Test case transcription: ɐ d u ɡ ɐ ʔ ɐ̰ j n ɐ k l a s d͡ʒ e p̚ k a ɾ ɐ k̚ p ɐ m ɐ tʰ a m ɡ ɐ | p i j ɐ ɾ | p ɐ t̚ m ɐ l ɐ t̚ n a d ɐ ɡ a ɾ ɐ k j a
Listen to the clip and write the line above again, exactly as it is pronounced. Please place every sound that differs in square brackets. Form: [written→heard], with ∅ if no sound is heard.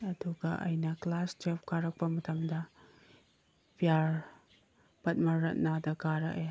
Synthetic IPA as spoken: ɐ d u ɡ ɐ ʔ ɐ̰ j n ɐ k l a s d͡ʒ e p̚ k a ɾ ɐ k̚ p ɐ m ɐ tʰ [a→ɐ] m [ɡ→d] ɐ | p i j [ɐ→a] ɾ | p ɐ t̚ m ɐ [l→ɾ] ɐ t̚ n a d ɐ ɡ a ɾ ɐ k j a